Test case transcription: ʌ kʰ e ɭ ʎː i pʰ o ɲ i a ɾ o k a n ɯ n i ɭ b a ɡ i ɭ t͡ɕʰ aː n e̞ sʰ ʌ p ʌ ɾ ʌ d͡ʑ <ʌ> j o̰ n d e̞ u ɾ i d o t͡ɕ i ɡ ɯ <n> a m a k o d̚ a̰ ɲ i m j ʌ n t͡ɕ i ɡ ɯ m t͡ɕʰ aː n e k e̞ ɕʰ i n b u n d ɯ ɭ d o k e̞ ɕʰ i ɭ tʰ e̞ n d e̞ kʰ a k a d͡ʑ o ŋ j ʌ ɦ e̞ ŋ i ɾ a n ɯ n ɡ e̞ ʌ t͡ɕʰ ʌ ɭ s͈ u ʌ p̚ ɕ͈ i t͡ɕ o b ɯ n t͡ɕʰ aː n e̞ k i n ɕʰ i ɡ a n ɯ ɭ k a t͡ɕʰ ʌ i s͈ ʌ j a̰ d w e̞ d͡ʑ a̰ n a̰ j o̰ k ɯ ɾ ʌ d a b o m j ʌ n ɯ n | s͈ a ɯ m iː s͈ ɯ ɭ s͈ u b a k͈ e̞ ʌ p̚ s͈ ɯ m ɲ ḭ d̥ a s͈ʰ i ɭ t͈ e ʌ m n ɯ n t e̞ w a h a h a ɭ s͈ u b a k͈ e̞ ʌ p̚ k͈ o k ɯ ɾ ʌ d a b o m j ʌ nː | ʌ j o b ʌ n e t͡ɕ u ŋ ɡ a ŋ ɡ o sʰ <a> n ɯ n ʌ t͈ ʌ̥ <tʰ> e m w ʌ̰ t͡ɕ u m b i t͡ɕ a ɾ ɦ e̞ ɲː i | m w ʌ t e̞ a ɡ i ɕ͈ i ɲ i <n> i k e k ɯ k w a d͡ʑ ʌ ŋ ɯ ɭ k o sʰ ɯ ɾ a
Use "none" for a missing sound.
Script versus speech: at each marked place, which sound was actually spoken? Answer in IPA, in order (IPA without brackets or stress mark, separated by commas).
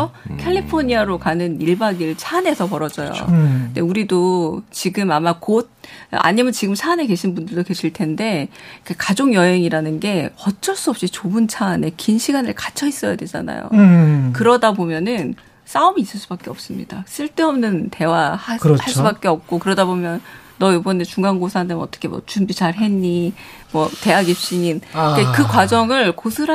ʌ, m, a, kʰ, n